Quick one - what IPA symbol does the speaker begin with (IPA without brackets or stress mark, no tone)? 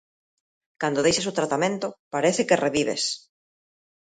k